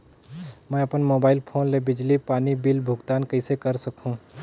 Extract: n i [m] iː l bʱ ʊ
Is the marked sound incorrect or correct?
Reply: incorrect